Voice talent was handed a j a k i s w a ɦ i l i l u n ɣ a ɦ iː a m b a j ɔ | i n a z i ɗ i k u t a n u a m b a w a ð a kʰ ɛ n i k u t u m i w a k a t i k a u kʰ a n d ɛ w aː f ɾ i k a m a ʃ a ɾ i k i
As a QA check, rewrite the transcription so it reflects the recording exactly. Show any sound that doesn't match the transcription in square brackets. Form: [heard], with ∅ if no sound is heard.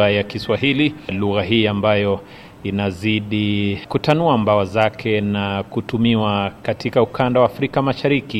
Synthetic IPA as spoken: a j a k i s w a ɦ i l i l u [∅] ɣ a ɦ iː a m b a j ɔ | i n a z i ɗ i k u t a n u a m b a w a [z] a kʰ ɛ n [a] k u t u m i w a k a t i k a u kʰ a n d [a] w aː f ɾ i k a m a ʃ a ɾ i k i